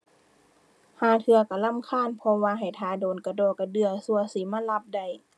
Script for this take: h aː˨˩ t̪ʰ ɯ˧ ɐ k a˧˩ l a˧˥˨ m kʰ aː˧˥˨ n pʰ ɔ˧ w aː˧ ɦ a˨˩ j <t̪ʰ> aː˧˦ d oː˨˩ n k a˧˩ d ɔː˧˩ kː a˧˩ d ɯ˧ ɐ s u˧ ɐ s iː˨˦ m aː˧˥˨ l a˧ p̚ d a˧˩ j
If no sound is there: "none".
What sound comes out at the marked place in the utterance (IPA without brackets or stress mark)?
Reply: t̪ʰ